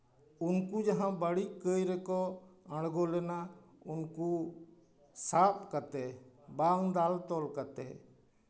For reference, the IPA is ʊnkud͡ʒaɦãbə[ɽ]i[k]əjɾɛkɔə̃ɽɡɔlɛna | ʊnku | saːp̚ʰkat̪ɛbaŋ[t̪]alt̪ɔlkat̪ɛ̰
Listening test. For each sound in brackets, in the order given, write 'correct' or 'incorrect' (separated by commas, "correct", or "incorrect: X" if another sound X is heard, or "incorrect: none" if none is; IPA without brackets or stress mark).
correct, correct, incorrect: d̪